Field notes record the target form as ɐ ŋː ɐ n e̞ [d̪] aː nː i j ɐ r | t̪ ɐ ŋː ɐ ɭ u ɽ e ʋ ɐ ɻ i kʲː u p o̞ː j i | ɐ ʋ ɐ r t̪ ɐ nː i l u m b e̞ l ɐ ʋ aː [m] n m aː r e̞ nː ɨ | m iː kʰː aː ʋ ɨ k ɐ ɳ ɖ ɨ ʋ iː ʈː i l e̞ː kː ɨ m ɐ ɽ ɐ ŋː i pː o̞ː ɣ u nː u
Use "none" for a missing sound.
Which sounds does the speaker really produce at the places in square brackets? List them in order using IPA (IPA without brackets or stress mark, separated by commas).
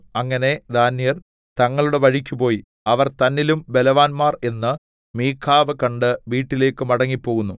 d̪, none